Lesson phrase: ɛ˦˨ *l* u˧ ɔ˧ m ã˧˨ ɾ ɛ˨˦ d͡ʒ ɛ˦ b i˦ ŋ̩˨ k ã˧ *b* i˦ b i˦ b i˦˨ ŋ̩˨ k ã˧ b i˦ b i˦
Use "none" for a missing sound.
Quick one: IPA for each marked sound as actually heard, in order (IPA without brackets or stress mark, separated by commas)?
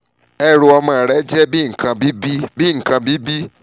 ɾ, b